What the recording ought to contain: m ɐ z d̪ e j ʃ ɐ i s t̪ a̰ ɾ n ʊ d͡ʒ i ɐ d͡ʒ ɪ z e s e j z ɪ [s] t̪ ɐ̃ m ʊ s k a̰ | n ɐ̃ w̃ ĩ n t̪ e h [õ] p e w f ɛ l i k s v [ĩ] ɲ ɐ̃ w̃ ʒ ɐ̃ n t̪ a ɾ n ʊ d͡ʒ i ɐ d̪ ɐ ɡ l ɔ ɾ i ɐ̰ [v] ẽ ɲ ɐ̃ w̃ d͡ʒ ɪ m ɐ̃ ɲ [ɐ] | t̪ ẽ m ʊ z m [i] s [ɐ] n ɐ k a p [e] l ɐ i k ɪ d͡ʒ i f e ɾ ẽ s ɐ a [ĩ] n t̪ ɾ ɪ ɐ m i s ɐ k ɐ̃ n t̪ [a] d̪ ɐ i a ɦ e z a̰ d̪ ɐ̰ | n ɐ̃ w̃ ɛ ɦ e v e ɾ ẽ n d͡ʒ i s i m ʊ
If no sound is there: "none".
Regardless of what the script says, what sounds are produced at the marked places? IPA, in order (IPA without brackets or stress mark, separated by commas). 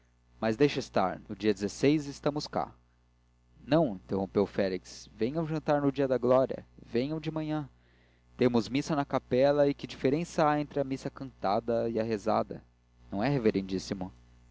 s, õ, ẽ, v, ɐ̃, i, ɐ, ɛ, ẽ, a